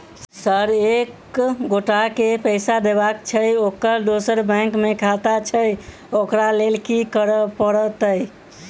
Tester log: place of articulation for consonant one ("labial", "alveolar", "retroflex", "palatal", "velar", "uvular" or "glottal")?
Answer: alveolar